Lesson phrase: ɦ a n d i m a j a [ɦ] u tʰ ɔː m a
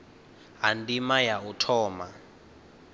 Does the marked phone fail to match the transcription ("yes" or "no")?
yes